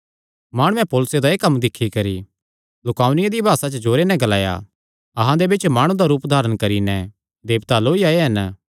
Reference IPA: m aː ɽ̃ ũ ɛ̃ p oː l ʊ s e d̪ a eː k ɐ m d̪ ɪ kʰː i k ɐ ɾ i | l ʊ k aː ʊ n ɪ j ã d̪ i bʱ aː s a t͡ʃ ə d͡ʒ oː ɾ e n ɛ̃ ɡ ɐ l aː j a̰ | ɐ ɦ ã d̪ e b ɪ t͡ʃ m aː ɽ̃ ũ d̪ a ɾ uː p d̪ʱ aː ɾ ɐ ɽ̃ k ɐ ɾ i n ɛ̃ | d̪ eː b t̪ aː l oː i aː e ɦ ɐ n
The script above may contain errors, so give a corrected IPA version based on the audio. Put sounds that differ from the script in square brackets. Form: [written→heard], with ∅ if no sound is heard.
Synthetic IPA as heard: m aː ɽ̃ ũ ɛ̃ p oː l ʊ s e d̪ a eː k ɐ m d̪ ɪ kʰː i k ɐ ɾ i | l ʊ k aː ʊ n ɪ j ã d̪ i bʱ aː s a t͡ʃ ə d͡ʒ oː ɾ e n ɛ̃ ɡ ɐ l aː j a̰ | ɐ ɦ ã d̪ e b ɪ t͡ʃ m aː ɽ̃ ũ d̪ a ɾ uː p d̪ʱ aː ɾ [ɐ→ə] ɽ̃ k ɐ ɾ i n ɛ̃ | d̪ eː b t̪ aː l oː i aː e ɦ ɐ n

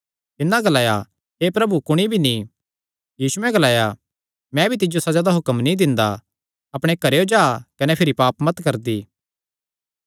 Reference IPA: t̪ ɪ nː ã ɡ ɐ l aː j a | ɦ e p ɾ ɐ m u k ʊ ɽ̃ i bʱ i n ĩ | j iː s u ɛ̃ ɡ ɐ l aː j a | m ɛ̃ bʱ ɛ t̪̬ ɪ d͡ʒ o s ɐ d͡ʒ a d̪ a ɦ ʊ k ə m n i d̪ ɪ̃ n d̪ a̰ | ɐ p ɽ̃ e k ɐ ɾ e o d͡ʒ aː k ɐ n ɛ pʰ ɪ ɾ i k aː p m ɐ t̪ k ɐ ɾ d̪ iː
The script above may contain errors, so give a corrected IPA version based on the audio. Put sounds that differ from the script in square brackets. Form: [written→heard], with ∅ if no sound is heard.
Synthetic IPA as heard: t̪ ɪ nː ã ɡ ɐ l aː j a | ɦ e p ɾ ɐ [m→b] u k ʊ ɽ̃ i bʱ i n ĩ | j iː s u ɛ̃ ɡ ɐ l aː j a | m ɛ̃ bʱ [ɛ→i] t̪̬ ɪ d͡ʒ o s ɐ d͡ʒ a d̪ a ɦ ʊ k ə m n i d̪ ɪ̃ n d̪ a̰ | ɐ p ɽ̃ e k ɐ ɾ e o d͡ʒ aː k ɐ n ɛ pʰ ɪ ɾ i [k→p] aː p m ɐ t̪ k ɐ ɾ d̪ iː

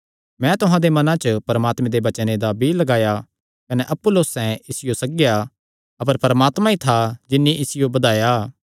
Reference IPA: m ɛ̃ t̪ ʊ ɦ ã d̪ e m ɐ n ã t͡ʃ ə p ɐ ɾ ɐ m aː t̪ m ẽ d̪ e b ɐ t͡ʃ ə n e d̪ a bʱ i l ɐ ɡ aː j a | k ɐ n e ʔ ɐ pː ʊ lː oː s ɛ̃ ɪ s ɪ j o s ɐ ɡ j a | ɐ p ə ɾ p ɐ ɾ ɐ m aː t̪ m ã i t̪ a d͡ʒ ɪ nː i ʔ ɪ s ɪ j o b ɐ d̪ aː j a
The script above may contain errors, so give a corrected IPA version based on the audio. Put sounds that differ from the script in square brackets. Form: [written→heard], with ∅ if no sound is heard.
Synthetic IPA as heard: m ɛ̃ t̪ ʊ ɦ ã d̪ e m ɐ n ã t͡ʃ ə p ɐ ɾ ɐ m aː t̪ m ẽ d̪ e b ɐ t͡ʃ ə n e d̪ a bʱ i l ɐ ɡ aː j a | k ɐ n e ʔ ɐ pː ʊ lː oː s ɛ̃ ɪ s ɪ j o s ɐ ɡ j a | ɐ p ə ɾ p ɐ ɾ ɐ m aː t̪ m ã i [t̪→t̪ʰ] a d͡ʒ ɪ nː i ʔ ɪ s ɪ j o b ɐ d̪ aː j a

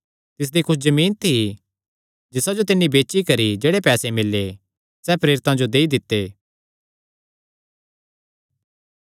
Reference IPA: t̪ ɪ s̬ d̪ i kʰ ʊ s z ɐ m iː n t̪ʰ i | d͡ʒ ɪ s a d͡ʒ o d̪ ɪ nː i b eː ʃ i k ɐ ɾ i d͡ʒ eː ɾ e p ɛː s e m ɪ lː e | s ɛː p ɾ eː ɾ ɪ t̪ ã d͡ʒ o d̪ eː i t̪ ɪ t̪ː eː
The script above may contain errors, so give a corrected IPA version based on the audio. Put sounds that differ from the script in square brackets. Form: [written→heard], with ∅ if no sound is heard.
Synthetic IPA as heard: t̪ ɪ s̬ d̪ i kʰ ʊ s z ɐ m iː n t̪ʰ i | d͡ʒ ɪ s a d͡ʒ o [d̪→t̪] ɪ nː i b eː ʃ i k ɐ ɾ i d͡ʒ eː [ɾ→ɽ] e p ɛː s e m ɪ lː e | s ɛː p ɾ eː ɾ ɪ t̪ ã d͡ʒ o d̪ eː i [t̪→d̪] ɪ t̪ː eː

